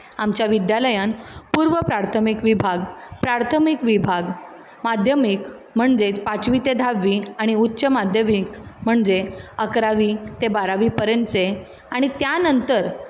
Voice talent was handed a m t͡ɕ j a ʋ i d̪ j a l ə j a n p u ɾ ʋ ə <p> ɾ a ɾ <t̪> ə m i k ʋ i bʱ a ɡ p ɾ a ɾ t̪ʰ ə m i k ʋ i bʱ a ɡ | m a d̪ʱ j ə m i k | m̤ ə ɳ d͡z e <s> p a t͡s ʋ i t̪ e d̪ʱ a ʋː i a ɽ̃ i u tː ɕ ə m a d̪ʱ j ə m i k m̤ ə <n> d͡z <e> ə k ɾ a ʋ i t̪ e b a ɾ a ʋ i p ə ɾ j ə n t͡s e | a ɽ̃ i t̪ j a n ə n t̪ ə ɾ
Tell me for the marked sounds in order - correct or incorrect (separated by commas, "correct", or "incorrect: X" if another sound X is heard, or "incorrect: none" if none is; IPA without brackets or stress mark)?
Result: correct, incorrect: t̪ʰ, incorrect: t͡s, incorrect: ɳ, correct